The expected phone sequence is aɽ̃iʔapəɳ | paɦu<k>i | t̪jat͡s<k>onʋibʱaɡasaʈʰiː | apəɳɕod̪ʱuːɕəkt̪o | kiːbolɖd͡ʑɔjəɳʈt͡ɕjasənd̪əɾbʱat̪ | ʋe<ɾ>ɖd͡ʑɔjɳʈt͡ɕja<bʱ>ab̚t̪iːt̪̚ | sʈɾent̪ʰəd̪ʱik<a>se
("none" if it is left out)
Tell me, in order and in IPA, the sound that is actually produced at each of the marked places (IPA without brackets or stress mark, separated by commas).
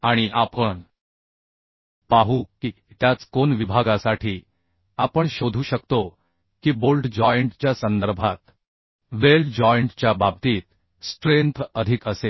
k, k, l, bʱ, ə